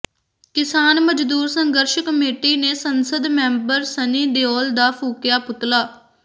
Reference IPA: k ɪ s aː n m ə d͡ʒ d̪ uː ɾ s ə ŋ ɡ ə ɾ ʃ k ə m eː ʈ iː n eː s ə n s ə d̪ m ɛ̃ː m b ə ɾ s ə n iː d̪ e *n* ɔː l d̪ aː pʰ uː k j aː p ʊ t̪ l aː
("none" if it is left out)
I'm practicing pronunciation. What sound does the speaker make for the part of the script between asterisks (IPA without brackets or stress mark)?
none